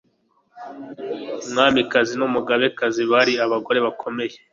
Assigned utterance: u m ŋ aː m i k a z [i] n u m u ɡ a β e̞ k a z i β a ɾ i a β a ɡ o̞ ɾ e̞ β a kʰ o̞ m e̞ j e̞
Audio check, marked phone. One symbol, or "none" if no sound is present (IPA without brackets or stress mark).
i